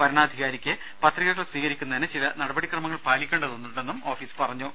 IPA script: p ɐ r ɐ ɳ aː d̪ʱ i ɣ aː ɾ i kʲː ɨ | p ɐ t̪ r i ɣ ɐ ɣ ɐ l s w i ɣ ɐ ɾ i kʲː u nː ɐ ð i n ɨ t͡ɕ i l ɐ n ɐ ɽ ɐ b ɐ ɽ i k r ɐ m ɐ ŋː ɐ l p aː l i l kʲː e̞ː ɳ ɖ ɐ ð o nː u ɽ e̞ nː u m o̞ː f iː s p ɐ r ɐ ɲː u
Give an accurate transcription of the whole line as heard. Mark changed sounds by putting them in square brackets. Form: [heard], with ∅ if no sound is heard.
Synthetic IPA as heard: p ɐ [ɾ] ɐ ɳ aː d̪ʱ i ɣ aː ɾ i kʲː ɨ | p ɐ t̪ r i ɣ ɐ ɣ ɐ [ɭ] s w [iː] ɣ ɐ ɾ i kʲː u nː ɐ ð i n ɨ t͡ɕ i l ɐ n ɐ ɽ ɐ b ɐ ɽ i k r ɐ m ɐ ŋː ɐ [ɭ] p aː l i [∅] kʲː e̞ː ɳ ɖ ɐ ð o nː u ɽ e̞ nː u m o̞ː f iː s p ɐ r ɐ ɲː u